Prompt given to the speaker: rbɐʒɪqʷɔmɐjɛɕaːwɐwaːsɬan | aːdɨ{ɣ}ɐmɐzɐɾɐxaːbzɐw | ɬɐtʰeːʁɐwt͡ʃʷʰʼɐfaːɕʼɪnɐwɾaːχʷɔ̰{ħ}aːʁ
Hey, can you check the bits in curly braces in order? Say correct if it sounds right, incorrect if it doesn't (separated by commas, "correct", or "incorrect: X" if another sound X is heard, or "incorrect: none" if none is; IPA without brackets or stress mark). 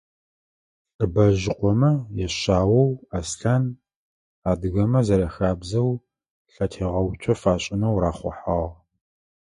correct, correct